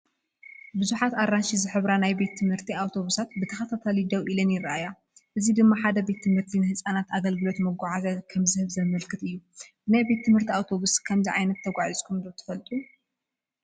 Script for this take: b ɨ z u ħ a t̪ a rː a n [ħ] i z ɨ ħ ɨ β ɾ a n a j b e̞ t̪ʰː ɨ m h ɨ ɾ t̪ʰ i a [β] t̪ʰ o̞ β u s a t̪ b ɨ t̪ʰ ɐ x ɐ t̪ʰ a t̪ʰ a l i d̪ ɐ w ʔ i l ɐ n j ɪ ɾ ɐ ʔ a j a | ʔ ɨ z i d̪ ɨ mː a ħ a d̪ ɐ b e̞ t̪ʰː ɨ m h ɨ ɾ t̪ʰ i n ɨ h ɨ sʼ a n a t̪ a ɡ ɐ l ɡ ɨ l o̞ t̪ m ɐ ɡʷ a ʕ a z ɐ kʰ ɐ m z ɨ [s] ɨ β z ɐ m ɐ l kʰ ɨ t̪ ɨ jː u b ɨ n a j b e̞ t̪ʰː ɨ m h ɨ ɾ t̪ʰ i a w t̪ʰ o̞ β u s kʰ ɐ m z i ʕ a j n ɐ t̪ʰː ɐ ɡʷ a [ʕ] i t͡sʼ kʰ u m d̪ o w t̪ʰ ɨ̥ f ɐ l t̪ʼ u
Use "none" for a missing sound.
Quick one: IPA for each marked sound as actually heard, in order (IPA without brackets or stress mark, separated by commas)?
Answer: ʃ, w, h, ʕ